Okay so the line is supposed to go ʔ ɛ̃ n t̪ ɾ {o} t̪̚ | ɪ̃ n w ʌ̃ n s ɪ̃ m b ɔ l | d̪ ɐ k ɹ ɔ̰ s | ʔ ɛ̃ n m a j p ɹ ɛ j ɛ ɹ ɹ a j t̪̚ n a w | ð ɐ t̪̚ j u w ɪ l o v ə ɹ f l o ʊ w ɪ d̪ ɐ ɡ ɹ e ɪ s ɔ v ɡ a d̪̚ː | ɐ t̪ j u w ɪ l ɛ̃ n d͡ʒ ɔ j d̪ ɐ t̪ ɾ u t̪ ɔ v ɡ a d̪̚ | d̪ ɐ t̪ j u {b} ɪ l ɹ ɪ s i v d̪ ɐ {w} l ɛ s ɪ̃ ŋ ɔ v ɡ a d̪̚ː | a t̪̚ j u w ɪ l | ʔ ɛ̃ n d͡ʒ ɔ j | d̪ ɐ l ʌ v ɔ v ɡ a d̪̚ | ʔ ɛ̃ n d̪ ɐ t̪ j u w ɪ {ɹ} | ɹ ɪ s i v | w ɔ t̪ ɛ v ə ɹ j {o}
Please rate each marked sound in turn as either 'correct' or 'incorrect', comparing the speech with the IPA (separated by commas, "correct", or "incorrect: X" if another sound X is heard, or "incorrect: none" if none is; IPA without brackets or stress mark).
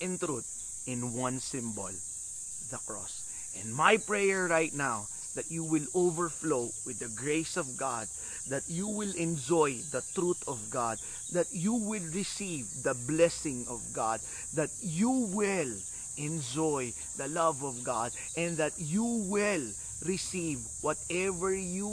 incorrect: u, incorrect: w, incorrect: b, incorrect: l, incorrect: u